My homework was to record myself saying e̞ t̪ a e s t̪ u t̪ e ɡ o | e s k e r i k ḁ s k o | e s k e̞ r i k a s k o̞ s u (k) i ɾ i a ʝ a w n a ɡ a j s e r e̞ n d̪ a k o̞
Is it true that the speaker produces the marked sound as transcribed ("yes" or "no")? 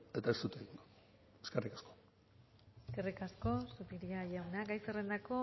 no